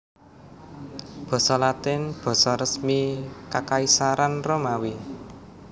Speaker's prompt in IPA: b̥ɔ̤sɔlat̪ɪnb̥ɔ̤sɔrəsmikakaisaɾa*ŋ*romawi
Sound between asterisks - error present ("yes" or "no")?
yes